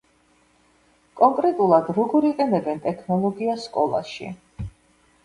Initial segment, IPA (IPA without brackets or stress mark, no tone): kʼ